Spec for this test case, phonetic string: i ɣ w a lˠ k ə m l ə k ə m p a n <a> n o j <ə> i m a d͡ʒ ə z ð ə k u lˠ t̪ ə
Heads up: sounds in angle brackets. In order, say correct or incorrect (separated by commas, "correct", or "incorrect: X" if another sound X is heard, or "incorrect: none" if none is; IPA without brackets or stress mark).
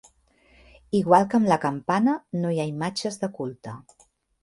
incorrect: ə, incorrect: a